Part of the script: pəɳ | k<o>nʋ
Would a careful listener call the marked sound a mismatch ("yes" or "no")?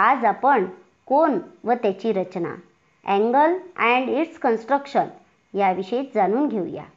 no